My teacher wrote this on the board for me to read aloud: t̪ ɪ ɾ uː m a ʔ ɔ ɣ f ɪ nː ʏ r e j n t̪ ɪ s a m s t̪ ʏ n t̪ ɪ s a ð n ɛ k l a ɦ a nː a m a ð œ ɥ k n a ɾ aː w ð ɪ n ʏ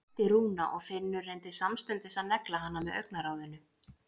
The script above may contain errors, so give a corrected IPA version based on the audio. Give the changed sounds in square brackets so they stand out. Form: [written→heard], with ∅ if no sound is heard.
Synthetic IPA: t̪ ɪ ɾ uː [m→n] a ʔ ɔ ɣ f ɪ nː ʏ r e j n t̪ ɪ s a m s t̪ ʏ n t̪ ɪ s a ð n ɛ k l a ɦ a nː a m [a→ɛ] ð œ ɥ k n a ɾ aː w ð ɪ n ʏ